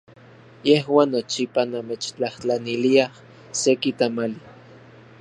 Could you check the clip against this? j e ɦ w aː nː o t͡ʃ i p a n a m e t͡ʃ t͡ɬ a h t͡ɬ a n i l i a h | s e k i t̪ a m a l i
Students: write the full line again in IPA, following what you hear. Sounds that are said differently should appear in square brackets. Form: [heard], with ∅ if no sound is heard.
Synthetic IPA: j e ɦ w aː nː o t͡ʃ i p a n a m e t͡ʃ t͡ɬ a h t͡ɬ a n i l i a h | s e k i t̪ a m a l i